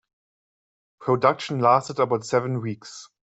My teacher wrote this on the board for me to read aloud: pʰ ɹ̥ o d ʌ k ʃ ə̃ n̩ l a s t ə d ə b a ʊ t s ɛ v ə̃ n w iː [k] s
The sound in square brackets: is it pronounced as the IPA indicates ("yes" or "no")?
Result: yes